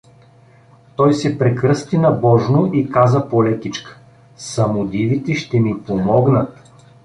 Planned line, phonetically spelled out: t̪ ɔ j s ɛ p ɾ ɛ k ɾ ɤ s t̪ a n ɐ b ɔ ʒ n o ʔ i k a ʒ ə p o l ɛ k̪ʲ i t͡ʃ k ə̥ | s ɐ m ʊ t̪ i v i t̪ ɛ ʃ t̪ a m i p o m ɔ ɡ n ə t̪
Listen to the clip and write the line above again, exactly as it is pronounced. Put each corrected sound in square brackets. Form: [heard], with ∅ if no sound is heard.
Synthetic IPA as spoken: t̪ ɔ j s ɛ p ɾ ɛ k ɾ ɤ s t̪ [i] n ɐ b ɔ ʒ n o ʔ i k a [z] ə p o l ɛ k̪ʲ i t͡ʃ k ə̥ | s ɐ m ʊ [d̪] i v i t̪ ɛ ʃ t̪ [ɛ] m i p o m ɔ ɡ n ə t̪